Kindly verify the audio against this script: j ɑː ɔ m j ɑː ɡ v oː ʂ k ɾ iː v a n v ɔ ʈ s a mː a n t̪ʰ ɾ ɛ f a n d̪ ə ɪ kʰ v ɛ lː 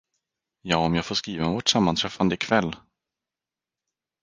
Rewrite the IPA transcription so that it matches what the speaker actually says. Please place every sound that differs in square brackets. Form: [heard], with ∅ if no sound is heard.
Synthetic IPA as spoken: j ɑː ɔ m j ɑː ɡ [f] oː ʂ k ɾ iː v a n v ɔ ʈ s a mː a n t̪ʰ ɾ ɛ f a n d̪ ə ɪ kʰ v ɛ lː